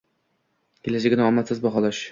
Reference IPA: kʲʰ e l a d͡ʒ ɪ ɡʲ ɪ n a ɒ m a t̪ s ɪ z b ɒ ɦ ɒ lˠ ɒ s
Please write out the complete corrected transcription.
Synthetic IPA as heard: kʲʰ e l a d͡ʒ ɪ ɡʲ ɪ n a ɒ m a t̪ s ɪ z b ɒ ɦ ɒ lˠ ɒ ʃ